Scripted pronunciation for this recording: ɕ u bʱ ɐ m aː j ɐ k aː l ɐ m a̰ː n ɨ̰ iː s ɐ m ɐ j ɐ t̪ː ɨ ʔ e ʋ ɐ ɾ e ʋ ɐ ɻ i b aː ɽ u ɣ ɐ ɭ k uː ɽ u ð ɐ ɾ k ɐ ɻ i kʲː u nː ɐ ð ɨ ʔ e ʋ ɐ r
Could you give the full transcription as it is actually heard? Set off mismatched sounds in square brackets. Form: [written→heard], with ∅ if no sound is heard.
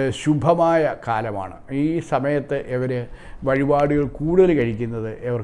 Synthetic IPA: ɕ u bʱ ɐ m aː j ɐ k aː l ɐ m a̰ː [n→ɳ] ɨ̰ iː s ɐ m ɐ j ɐ t̪ː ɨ ʔ e ʋ ɐ ɾ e ʋ ɐ ɻ i b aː ɽ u ɣ ɐ ɭ k uː ɽ u ð ɐ [ɾ→l] k ɐ ɻ i kʲː u nː ɐ ð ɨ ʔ e ʋ ɐ r

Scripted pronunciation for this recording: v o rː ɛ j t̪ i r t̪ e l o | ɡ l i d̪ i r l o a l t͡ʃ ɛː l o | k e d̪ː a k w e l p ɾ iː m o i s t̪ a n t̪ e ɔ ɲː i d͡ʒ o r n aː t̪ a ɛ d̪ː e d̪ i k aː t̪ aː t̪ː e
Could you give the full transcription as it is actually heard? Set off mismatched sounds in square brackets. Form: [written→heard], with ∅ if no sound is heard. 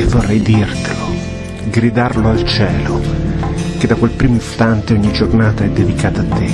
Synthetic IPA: v o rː ɛ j [t̪→d̪] i r t̪ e l o | ɡ [l→ɾ] i d̪ [i→a] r l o a l t͡ʃ ɛː l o | k e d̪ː a k w e l p ɾ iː m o i s t̪ a n t̪ e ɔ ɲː i d͡ʒ o r n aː t̪ a ɛ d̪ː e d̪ i k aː t̪ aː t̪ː e

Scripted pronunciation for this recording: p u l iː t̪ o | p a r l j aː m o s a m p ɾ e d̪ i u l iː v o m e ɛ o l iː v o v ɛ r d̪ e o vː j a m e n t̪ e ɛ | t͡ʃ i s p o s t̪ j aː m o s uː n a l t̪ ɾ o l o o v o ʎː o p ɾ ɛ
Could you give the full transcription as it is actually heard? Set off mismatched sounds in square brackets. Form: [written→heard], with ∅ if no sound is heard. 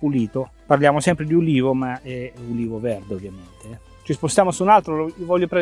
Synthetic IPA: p u l iː t̪ o | p a r l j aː m o s [a→ɛ] m p ɾ e d̪ i u l iː v o m [e→a] ɛ [o→u] l iː v o v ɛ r d̪ e o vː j a m e n t̪ e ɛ | t͡ʃ i s p o s t̪ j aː m o s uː n a l t̪ ɾ o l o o v [o→ɔ] ʎː o p ɾ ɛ

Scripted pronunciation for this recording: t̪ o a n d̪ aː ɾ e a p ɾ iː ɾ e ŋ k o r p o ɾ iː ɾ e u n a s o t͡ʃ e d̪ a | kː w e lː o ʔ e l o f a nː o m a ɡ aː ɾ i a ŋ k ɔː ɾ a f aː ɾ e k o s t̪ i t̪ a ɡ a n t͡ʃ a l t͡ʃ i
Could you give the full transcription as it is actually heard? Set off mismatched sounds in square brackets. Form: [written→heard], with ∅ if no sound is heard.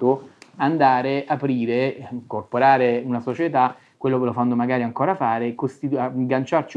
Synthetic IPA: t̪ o a n d̪ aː ɾ e a p ɾ iː ɾ e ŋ k o r p o ɾ [iː→aː] ɾ e u n a s o t͡ʃ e [d̪→t̪] a | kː w e lː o [ʔ→k] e l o f a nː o m a ɡ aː ɾ i a ŋ k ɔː ɾ a f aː ɾ e k o s t̪ i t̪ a ɡ a n t͡ʃ a [l→r] t͡ʃ i

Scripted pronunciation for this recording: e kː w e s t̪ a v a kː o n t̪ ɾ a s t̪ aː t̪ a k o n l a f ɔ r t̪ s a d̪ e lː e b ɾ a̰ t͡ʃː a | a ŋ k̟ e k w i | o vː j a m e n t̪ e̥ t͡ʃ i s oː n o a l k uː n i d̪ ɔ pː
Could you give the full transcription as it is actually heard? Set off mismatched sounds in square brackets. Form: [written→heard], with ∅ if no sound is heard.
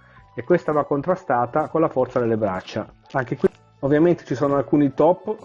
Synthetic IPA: e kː w e s t̪ a v a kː o n t̪ ɾ a s t̪ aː t̪ a k o n l a f ɔ r t̪ s a d̪ e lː e b ɾ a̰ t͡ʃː a | a ŋ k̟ e k w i | o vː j a m e n t̪ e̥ t͡ʃ i s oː n o a l k uː n i [d̪→t̪] ɔ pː

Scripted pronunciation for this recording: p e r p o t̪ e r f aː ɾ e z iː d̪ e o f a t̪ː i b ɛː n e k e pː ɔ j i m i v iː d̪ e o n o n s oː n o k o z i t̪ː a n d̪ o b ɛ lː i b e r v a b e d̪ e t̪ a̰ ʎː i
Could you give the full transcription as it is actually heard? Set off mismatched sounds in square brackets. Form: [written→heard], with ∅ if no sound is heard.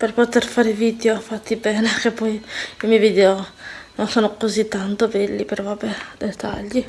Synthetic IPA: p e r p o t̪ e r f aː ɾ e [z→v] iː d̪ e o f a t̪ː i b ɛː n e k e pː ɔ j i m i v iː d̪ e o n o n s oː n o k o z i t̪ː a n [d̪→t̪] o b ɛ lː i [b→p] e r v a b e d̪ e t̪ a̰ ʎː i

